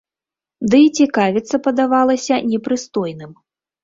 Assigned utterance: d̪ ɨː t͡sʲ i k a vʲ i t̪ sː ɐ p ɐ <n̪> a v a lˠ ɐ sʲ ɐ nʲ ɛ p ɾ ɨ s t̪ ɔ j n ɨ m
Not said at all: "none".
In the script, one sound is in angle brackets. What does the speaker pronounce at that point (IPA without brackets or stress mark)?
d̪